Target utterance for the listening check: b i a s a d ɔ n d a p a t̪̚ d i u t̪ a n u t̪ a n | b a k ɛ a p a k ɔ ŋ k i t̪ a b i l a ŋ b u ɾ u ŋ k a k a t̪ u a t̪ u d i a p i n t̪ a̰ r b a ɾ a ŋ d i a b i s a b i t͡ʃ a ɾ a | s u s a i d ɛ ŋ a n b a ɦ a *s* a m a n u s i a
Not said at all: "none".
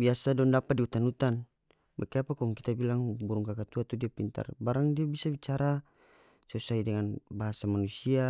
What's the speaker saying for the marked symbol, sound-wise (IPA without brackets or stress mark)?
s